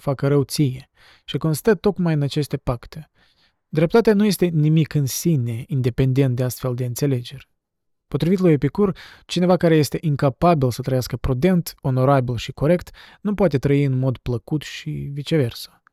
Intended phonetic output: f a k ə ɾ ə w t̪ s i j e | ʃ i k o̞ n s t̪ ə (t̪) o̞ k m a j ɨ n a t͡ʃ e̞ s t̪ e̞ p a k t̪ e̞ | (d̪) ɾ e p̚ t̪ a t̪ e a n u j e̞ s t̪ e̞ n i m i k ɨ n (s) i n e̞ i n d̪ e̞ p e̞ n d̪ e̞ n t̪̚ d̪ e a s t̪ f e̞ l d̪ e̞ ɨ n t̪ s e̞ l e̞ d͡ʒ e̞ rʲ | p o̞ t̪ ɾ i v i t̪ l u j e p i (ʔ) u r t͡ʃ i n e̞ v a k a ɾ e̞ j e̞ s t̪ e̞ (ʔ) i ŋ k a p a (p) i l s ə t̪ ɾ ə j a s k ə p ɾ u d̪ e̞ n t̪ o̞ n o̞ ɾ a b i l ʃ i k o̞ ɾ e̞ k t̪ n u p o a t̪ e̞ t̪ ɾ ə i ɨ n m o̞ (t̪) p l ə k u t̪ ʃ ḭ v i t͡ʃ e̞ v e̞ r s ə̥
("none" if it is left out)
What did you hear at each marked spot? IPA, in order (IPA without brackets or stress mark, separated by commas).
t̪, d̪, s, k, ʔ, b, d̪